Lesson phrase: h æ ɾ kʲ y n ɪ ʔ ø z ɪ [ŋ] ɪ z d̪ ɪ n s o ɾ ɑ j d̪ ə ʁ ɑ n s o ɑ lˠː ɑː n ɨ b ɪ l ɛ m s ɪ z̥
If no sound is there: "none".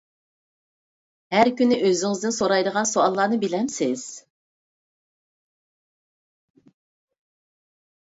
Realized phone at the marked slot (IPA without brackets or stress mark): ŋ